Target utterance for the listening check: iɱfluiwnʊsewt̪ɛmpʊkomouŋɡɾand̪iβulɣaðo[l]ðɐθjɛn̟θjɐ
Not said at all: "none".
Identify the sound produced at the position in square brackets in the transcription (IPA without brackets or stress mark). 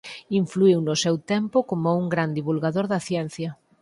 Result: ɾ